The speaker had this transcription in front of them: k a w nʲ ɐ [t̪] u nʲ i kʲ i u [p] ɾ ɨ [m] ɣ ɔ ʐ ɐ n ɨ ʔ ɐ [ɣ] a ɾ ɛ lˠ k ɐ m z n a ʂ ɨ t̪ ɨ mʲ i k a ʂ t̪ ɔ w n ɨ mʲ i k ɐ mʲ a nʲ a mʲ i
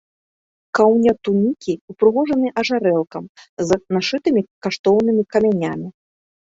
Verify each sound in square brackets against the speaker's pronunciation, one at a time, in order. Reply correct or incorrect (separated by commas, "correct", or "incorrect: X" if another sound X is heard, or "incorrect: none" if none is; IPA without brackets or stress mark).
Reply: correct, correct, incorrect: none, incorrect: ʐ